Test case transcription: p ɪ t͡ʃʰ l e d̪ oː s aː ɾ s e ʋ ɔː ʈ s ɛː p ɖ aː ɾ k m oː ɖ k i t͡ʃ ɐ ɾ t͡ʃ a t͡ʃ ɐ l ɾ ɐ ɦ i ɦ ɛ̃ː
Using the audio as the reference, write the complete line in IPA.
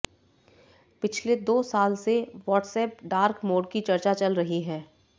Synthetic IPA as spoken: p ɪ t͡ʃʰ l e d̪ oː s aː l s e ʋ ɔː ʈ s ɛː p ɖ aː ɾ k m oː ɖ k i t͡ʃ ɐ ɾ t͡ʃ a t͡ʃ ɐ l ɾ ɐ ɦ i ɦ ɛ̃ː